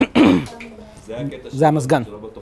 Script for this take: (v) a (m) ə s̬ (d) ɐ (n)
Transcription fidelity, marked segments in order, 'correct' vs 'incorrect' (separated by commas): incorrect, correct, incorrect, correct